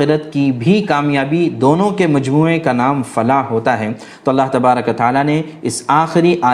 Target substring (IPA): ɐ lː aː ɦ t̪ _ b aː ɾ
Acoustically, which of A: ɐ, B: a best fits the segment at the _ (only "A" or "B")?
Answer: A